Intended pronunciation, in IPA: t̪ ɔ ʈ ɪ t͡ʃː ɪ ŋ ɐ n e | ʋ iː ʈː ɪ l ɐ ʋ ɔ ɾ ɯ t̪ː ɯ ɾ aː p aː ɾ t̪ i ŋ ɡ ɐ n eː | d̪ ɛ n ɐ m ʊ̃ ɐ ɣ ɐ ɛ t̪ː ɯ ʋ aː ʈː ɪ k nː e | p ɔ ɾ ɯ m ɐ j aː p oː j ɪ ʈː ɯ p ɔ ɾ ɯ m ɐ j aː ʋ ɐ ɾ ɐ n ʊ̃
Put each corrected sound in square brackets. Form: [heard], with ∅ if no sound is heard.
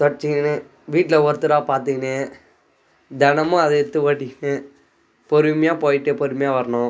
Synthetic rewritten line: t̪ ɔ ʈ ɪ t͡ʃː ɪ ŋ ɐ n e | ʋ iː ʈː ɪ l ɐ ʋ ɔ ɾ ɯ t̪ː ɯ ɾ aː p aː ɾ t̪ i ŋ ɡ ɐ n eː | d̪ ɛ n ɐ m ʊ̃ ɐ [ð] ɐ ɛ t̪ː ɯ ʋ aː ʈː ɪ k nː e | p ɔ ɾ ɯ m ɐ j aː p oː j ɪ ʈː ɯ p ɔ ɾ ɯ m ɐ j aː ʋ ɐ ɾ ɐ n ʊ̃